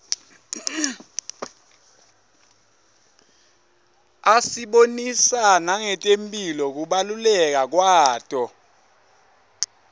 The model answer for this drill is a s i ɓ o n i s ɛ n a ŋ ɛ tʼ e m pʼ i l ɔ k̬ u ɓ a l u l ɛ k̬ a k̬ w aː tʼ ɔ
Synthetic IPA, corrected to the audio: a s i ɓ o n i s a n a ŋ ɛ tʼ e m pʼ i l ɔ k̬ u ɓ a l u l ɛ k̬ a k̬ w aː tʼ ɔ